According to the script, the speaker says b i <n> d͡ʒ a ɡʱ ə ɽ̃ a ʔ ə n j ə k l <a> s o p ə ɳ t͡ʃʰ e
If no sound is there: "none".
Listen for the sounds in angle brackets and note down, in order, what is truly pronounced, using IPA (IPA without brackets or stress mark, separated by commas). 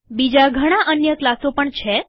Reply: none, a